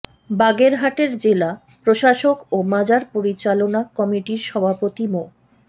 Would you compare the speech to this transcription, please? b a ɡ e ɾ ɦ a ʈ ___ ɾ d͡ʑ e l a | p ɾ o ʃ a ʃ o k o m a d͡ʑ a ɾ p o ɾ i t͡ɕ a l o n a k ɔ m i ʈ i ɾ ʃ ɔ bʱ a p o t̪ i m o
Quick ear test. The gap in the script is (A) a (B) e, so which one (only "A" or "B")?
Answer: B